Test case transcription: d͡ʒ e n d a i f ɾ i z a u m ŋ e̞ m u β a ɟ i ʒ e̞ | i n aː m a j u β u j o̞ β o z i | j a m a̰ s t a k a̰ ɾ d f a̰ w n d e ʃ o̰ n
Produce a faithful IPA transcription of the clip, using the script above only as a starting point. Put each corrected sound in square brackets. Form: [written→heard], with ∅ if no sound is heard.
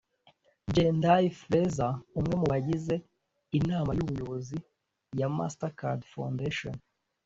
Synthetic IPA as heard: d͡ʒ e n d a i f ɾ [i→e] z a u m ŋ e̞ m u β a ɟ i [ʒ→z] e̞ | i n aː m a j u β u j o̞ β o z i | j a m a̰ s t a k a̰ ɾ d f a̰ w n d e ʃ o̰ n

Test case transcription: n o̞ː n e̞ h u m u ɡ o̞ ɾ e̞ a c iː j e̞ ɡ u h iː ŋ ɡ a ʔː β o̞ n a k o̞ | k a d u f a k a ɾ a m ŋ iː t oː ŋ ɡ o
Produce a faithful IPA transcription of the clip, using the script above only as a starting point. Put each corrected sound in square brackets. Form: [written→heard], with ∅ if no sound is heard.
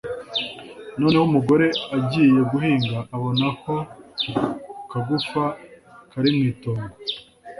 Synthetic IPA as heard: n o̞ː n e̞ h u m u ɡ o̞ ɾ e̞ a [c→ɟ] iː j e̞ ɡ u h iː ŋ ɡ a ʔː β o̞ n a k o̞ | k a [d→ɡ] u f a k a ɾ [a→i] m ŋ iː t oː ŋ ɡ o

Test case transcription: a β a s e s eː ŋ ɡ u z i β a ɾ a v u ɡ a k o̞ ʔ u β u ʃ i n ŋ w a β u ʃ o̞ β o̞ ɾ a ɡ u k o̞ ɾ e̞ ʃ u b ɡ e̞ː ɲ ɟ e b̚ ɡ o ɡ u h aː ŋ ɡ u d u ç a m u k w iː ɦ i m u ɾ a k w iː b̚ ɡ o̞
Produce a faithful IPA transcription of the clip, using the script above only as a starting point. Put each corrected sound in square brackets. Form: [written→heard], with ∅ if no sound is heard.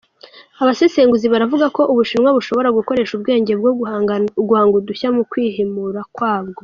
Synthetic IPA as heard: a β a s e s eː ŋ ɡ u z i β a ɾ a v u ɡ a k o̞ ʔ u β u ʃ i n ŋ w a β u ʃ o̞ β o̞ ɾ a ɡ u k o̞ ɾ e̞ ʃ u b ɡ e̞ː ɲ ɟ e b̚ ɡ o ɡ u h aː ŋ ɡ u d u ç a m u k w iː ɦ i m u ɾ a k w [iː→aː] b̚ ɡ o̞

